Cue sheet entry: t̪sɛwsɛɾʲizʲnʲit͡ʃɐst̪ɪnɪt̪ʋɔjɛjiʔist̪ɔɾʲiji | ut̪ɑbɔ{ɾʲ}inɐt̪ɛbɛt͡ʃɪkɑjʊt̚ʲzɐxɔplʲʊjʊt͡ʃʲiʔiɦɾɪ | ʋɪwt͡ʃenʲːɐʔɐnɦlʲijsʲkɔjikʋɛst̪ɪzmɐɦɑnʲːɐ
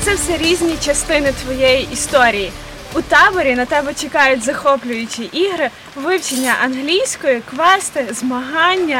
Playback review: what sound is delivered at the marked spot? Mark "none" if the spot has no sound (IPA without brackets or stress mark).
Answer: ɾʲ